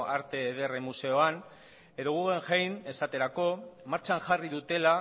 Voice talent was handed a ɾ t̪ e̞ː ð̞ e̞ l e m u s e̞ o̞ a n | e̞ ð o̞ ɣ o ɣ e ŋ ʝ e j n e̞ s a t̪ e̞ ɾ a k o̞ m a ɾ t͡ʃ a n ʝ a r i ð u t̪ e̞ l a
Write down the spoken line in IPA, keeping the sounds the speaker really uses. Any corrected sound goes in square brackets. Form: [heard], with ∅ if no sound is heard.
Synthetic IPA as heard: a ɾ t̪ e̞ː ð̞ e̞ [r] e m u s e̞ o̞ a n | e̞ ð o̞ ɣ [u] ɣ e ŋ ʝ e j n e̞ s a t̪ e̞ ɾ a k o̞ m a ɾ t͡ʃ a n ʝ a r i ð u t̪ e̞ l a